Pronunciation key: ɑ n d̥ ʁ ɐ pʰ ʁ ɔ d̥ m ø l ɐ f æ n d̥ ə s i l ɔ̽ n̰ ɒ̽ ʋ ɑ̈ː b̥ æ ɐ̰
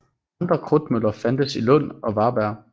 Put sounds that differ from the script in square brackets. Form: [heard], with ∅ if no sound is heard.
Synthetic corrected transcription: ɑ n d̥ ʁ ɐ [kʰ] ʁ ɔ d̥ m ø l ɐ f æ n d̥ ə s i l ɔ̽ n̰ ɒ̽ ʋ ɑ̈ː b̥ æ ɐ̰